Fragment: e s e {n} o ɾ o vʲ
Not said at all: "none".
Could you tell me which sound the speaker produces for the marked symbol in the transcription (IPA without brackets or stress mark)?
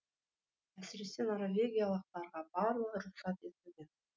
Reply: n